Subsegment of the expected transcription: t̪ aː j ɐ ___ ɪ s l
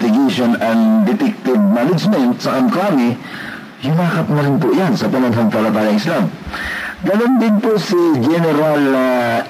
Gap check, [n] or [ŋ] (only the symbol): ŋ